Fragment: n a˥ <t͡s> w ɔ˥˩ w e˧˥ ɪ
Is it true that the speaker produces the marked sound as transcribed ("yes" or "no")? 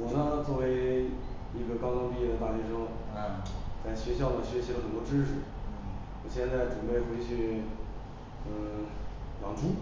yes